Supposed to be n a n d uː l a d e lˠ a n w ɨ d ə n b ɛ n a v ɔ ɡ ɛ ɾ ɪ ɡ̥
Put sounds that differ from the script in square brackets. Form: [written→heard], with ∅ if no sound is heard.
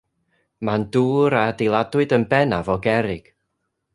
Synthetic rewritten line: [n→m] a n d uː [l→ɾ] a d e lˠ a [n→d] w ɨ d ə n b ɛ n a v ɔ ɡ ɛ ɾ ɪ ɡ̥